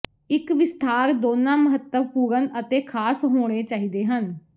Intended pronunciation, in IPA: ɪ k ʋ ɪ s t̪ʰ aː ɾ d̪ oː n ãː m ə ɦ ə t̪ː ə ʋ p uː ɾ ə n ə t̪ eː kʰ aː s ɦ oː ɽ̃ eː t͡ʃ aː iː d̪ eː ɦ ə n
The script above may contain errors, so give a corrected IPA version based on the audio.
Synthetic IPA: ɪ k ʋ ɪ s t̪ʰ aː ɾ d̪ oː n ãː m ə ɦ ə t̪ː ə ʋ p uː ɾ ə n ə t̪ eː kʰ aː s ɦ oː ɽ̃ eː t͡ʃ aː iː d̪ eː ɦ ə n